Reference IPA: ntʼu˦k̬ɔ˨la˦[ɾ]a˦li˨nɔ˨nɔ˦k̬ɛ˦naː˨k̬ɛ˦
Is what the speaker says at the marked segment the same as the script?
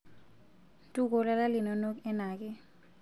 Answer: no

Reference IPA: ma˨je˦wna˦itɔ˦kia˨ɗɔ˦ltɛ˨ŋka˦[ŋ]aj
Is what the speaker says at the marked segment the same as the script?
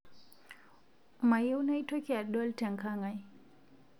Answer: yes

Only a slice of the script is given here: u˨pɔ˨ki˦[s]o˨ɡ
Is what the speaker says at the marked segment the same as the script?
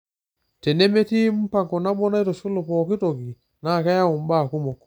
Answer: no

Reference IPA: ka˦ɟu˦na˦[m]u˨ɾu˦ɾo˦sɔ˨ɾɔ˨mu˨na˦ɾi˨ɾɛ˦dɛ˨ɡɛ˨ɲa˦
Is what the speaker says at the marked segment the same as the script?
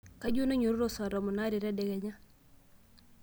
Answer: no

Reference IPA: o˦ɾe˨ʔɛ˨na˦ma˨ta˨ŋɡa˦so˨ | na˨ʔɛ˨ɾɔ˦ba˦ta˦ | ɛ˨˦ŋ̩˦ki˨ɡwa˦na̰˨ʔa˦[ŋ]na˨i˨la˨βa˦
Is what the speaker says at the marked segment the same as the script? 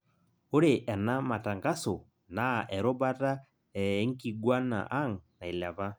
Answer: yes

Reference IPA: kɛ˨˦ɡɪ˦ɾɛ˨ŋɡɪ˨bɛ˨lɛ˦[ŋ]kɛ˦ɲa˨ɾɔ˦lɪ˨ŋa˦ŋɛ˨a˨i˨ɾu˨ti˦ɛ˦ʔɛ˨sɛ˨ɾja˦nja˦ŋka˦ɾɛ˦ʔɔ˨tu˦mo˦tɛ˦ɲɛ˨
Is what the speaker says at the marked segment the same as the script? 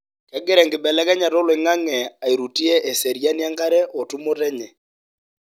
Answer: no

